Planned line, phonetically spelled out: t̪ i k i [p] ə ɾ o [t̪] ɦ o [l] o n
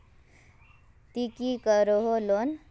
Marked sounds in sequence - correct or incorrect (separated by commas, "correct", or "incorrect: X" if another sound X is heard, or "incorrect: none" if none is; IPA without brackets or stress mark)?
incorrect: k, incorrect: none, correct